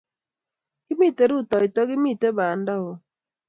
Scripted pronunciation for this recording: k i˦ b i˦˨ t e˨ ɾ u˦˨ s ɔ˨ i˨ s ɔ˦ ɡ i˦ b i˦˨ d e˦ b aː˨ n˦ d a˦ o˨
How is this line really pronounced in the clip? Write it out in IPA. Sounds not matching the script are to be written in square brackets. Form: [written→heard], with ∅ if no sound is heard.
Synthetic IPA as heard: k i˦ [b→m] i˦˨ t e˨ ɾ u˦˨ [s→t] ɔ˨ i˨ [s→t] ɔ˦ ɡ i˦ [b→m] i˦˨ [d→t] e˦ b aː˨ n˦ d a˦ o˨